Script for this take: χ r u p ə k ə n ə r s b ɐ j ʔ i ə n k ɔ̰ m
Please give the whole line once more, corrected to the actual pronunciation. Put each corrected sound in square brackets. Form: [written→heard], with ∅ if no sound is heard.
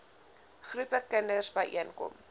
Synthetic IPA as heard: χ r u p ə k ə n ə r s b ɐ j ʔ i ə n k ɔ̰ m